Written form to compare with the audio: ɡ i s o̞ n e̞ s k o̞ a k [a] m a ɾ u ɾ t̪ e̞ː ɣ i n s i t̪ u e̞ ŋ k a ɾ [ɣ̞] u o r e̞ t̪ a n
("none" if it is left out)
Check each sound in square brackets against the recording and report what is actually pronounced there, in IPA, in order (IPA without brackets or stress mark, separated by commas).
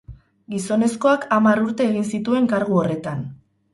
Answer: a, ɣ̞